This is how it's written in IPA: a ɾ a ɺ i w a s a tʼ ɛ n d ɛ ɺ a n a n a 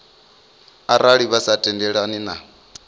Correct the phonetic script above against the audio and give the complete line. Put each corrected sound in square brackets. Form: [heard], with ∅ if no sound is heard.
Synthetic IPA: a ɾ a ɺ i [β] a s a tʼ ɛ n d ɛ ɺ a n [i] n a